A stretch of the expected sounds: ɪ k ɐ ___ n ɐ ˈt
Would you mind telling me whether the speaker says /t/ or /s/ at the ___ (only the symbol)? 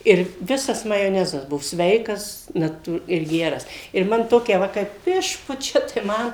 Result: s